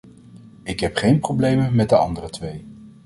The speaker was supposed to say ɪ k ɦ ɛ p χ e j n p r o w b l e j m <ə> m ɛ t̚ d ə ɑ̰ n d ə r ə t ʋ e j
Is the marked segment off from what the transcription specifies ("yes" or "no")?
no